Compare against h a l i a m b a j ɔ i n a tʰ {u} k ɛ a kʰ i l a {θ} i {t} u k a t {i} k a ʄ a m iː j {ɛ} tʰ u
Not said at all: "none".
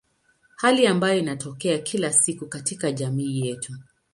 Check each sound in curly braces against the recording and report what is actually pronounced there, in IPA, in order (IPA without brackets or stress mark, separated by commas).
ɔ, s, k, i, ɛ